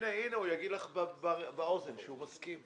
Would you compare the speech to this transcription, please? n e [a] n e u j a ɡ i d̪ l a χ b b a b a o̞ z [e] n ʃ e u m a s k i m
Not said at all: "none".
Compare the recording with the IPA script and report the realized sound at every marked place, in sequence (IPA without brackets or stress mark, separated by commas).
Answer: i, e